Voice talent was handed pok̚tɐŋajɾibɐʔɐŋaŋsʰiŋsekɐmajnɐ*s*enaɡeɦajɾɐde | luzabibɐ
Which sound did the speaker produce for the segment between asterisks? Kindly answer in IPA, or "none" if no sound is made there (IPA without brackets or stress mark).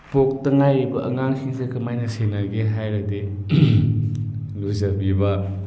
s